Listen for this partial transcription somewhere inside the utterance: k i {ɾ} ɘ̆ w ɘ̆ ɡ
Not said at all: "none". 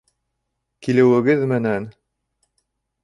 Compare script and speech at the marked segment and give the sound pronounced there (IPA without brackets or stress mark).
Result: l